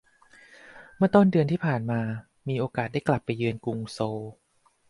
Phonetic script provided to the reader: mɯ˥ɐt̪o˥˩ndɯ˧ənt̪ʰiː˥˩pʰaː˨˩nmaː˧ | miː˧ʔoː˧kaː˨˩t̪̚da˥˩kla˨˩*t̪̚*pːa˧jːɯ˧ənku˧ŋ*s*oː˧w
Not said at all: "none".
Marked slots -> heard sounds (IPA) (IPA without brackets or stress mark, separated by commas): none, s